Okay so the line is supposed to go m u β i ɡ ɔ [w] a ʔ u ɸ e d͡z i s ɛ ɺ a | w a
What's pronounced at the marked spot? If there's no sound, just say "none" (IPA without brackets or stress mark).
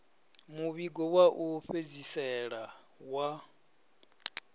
w